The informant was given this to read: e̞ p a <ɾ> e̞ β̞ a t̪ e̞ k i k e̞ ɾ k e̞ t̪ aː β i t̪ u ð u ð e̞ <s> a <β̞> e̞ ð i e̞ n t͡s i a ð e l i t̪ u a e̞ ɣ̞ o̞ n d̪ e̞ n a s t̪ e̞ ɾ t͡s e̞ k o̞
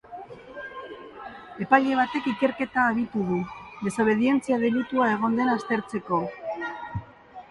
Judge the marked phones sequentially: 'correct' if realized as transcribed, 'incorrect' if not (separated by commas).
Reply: incorrect, correct, correct